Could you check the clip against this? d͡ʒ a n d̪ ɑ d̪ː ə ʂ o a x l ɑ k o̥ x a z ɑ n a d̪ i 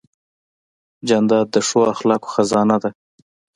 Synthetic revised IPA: d͡ʒ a n d̪ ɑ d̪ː ə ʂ o a x l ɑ k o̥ x a z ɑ n a d̪ a